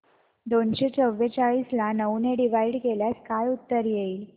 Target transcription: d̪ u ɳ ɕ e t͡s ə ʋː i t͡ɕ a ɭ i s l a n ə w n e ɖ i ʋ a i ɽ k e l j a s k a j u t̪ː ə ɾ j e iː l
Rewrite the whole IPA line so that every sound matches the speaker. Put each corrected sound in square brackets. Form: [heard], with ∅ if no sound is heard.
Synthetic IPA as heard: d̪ [o] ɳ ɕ e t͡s ə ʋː [e] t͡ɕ a ɭ i s l a n ə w n e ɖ i ʋ a i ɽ k e l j a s k a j u t̪ː ə ɾ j e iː l